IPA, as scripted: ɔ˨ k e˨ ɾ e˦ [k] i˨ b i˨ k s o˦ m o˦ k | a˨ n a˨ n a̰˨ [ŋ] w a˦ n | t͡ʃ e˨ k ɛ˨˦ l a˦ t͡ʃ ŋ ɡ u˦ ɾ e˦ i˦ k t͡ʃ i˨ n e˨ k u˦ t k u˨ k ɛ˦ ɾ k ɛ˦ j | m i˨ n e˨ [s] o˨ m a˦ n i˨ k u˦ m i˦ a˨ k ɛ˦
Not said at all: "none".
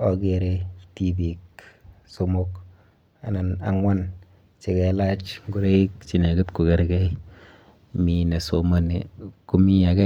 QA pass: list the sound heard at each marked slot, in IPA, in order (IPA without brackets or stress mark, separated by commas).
t, ŋ, s